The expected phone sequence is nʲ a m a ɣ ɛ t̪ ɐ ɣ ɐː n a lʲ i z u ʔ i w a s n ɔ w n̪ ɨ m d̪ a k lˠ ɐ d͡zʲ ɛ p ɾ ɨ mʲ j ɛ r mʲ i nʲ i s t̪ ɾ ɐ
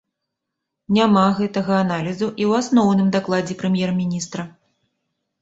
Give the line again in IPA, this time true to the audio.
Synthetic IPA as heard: nʲ a m a ɣ ɛ t̪ ɐ ɣ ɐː n a lʲ i z u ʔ i w a s n ɔ w n̪ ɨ m d̪ a k lˠ a d͡zʲ ɛ p ɾ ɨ mʲ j ɛ r mʲ i nʲ i s t̪ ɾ ɐ